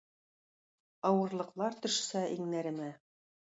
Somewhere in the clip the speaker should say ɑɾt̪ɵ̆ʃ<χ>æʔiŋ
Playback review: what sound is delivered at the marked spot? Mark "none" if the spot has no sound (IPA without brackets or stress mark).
s